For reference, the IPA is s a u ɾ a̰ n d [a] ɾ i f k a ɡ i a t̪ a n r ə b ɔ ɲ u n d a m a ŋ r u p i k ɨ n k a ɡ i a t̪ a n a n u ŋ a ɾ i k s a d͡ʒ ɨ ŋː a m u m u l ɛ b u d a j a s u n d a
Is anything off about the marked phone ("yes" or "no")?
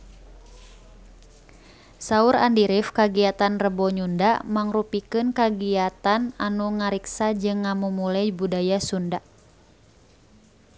yes